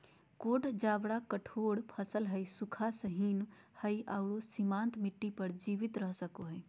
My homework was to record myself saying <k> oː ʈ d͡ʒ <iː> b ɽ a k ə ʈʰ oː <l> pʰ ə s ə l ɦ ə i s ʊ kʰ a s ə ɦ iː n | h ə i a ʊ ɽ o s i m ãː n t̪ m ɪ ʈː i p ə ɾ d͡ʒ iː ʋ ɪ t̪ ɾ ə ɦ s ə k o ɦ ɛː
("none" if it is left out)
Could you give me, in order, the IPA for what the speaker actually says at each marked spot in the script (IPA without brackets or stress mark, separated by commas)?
k, aː, ɽ